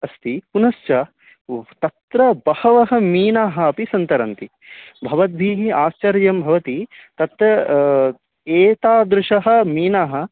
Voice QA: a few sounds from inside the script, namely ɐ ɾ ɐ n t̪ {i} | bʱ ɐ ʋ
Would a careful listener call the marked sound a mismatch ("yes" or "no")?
no